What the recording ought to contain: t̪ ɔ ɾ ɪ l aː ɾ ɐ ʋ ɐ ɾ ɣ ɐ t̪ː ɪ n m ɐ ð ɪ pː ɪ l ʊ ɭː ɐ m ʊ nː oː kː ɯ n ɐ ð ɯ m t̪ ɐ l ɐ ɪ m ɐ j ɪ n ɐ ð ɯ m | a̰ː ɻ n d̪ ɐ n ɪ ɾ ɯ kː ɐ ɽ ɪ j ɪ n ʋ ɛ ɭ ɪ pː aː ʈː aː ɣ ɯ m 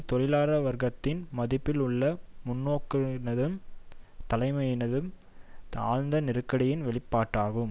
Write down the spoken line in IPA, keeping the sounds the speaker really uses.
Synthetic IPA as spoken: t̪ ɔ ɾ ɪ l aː ɾ ɐ ʋ ɐ ɾ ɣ ɐ t̪ː ɪ n m ɐ ð ɪ pː ɪ l ʊ ɭː ɐ m ʊ nː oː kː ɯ n ɐ ð ɯ m t̪ ɐ l ɐ ɪ m ɐ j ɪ n ɐ ð ɯ m | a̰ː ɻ n d̪ ɐ n ɪ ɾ ɯ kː ɐ ɽ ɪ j ɪ n ʋ ɛ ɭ ɪ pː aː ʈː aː ɣ ɯ m